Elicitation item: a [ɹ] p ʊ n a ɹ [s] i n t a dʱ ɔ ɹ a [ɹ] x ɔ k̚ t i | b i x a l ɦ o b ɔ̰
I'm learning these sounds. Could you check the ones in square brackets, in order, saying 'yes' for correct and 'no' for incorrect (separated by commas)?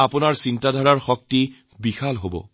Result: no, yes, yes